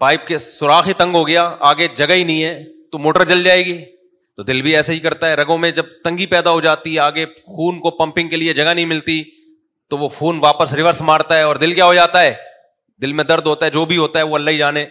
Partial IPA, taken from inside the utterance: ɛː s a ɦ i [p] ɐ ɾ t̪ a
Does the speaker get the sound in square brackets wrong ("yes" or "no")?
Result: yes